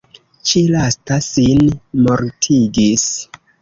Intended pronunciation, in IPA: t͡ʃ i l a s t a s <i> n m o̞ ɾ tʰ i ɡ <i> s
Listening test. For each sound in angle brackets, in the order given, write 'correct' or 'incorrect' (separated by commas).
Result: correct, correct